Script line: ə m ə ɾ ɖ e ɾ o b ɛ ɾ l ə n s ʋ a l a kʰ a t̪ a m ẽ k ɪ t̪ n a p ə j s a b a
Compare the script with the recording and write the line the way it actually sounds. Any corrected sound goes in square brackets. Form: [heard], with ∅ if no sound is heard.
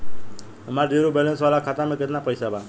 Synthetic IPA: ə m [a] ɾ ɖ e ɾ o b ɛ [∅] l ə n s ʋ a l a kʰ a t̪ a m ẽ k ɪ t̪ n a p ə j s a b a